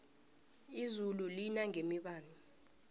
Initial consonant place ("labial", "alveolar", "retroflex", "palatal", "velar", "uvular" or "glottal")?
alveolar